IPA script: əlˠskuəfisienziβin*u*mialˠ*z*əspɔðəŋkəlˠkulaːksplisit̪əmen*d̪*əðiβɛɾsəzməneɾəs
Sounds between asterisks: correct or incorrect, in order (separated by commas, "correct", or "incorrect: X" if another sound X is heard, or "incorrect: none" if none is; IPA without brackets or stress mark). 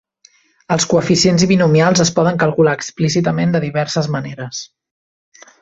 correct, correct, correct